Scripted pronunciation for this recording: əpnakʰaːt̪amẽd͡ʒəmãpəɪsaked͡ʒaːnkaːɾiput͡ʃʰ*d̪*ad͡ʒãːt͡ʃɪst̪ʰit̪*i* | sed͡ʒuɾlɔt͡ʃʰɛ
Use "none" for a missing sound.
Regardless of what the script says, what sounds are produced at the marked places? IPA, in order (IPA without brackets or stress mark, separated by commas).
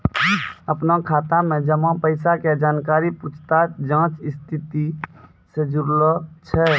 t̪, i